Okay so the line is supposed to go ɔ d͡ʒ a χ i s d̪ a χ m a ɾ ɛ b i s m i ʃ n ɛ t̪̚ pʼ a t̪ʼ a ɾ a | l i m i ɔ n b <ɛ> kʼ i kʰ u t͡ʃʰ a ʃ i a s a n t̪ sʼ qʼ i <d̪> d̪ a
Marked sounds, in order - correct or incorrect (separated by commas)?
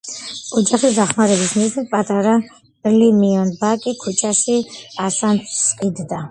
incorrect, correct